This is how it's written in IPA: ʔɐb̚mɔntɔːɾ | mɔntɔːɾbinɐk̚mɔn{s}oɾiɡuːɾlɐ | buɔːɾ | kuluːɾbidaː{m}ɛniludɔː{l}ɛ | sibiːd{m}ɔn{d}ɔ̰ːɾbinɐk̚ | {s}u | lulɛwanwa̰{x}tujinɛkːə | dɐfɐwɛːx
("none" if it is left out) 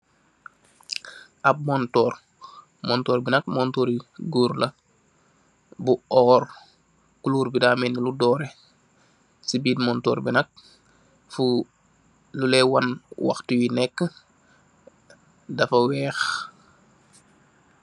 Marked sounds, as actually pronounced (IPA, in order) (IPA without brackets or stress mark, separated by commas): t, m, ɾ, m, t, f, x